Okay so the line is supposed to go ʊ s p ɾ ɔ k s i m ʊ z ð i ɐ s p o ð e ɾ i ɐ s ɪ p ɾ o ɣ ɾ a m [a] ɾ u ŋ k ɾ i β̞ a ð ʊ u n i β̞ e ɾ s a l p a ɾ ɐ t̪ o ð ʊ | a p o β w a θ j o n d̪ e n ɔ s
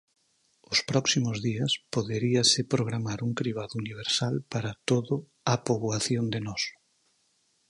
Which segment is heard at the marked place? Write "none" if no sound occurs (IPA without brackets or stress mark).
a